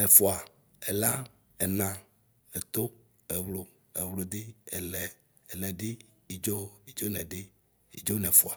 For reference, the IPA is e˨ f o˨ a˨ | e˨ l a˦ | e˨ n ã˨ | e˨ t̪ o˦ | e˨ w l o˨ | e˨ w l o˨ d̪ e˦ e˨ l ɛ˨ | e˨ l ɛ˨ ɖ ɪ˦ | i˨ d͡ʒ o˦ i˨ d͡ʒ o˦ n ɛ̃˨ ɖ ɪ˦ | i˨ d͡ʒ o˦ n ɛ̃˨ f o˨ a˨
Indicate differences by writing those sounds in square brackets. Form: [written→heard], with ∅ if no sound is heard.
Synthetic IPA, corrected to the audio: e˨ f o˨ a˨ | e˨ l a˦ | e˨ n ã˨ | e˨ t̪ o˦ | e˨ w l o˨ | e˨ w l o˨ d̪ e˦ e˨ l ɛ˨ | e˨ l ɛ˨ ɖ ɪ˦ | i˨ d͡ʒ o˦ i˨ d͡ʒ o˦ n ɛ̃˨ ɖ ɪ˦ | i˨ d͡ʒ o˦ n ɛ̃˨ f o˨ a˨